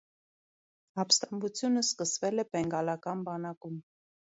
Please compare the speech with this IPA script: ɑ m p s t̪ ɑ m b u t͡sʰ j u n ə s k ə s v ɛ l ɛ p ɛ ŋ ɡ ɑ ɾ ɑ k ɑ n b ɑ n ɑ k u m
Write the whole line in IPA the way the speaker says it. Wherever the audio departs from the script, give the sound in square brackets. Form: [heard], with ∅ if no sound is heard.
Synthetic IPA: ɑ [∅] p s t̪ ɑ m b u t͡sʰ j u n ə s k ə s v ɛ l ɛ p ɛ ŋ ɡ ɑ [l] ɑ k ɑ n b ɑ n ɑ k u m